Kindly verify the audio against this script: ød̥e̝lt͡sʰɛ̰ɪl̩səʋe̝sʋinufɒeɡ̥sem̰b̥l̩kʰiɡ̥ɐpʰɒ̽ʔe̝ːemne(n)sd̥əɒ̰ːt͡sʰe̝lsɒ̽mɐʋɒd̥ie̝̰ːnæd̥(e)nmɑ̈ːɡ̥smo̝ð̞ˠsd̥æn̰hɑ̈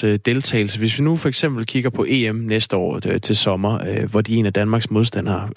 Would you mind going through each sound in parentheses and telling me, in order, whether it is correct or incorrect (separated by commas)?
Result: incorrect, incorrect